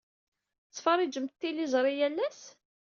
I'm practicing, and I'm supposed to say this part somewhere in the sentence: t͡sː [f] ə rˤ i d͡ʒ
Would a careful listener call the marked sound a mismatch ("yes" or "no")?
no